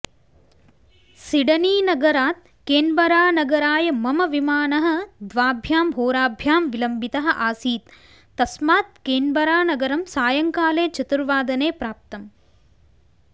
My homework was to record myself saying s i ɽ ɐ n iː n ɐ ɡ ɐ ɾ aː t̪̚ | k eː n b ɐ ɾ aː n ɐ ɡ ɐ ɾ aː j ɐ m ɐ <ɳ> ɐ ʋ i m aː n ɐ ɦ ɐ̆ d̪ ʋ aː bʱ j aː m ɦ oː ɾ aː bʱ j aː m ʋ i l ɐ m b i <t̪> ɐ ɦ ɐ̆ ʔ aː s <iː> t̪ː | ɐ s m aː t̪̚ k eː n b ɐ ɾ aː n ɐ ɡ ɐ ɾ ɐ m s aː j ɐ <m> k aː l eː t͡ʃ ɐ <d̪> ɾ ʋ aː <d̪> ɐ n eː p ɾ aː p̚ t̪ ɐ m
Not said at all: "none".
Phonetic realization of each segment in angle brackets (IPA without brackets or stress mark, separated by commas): m, t̪, iː, ŋ, t̪, d̪